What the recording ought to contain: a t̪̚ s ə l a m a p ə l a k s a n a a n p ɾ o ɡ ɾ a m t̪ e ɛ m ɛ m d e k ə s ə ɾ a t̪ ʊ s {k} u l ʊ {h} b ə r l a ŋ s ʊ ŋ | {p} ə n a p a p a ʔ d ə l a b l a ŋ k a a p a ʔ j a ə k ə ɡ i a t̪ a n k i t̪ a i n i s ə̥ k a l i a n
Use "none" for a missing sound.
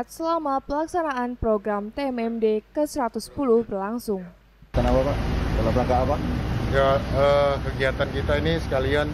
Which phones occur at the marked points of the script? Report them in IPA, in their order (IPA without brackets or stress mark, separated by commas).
p, h, k